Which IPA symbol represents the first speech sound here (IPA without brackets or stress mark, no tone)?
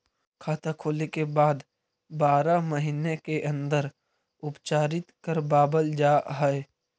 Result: kʰ